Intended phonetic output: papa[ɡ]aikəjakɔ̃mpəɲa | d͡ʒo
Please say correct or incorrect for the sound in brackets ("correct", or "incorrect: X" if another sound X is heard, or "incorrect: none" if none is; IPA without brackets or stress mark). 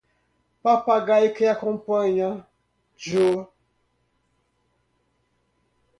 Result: correct